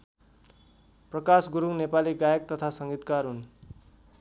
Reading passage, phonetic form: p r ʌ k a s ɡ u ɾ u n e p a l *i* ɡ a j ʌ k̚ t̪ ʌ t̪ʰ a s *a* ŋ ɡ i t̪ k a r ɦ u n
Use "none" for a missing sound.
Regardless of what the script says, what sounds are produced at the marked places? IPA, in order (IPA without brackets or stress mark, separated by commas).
i, ʌ